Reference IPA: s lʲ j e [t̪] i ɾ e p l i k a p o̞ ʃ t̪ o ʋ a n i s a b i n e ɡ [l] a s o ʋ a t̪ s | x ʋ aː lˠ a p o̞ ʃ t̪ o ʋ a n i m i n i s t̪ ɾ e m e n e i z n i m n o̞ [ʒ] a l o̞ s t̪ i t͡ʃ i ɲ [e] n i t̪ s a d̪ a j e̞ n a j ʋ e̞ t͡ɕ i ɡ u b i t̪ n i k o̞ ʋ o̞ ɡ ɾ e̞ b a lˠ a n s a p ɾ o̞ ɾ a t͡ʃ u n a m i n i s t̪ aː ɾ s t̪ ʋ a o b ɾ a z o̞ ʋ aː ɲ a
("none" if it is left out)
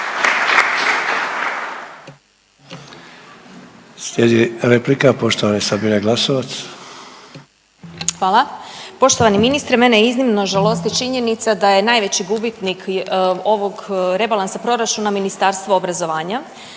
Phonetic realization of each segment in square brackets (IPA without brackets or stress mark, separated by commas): d̪, l, ʒ, e